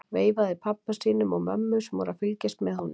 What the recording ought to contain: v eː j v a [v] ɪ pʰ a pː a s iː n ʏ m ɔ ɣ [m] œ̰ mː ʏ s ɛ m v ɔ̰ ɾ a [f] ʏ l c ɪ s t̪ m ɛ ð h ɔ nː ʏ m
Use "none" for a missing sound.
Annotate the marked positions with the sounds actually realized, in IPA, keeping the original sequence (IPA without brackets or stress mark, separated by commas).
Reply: ð, m, f